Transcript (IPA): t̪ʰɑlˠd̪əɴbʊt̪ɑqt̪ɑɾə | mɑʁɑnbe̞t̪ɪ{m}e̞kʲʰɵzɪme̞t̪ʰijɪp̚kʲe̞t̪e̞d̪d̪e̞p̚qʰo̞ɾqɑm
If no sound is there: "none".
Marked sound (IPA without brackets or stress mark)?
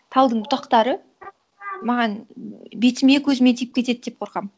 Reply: m